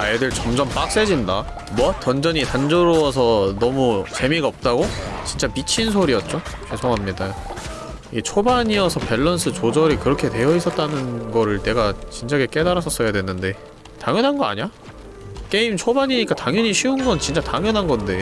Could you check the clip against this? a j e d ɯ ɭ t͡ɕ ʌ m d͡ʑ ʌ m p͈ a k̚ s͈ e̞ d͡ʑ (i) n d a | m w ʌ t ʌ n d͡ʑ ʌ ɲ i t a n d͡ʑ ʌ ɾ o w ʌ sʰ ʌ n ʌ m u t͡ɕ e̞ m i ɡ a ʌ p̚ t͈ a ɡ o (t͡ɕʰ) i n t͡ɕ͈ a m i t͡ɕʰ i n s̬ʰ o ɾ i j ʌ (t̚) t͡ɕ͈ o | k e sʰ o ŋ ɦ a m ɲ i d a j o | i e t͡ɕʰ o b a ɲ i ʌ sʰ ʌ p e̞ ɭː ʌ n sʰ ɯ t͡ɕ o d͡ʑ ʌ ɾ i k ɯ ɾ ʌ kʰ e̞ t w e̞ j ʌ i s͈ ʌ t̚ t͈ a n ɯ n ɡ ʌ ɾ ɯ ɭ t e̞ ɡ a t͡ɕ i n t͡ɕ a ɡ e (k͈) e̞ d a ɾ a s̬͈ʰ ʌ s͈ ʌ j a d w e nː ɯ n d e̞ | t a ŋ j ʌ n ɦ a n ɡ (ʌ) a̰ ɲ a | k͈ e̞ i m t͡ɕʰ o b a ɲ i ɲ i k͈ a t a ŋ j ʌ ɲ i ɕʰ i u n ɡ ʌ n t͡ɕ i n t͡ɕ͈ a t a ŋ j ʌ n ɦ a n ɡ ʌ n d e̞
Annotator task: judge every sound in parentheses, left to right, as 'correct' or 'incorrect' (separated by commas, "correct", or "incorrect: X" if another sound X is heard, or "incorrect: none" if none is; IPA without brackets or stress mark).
correct, incorrect: t͡ɕ, correct, correct, correct